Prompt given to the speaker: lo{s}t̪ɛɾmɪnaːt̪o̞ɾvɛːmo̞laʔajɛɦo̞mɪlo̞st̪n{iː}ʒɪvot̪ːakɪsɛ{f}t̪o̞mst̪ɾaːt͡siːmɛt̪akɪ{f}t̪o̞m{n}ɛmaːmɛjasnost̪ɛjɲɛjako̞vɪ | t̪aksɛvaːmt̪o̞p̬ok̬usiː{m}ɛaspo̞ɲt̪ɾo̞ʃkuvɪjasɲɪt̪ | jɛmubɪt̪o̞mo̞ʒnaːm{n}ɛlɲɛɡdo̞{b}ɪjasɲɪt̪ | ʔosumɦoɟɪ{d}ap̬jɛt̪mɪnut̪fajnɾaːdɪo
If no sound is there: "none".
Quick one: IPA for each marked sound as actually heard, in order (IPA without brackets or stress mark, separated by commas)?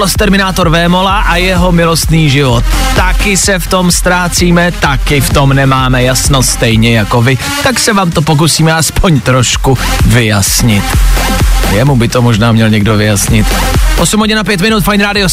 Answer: s, iː, f, f, n, m, ɲ, v, n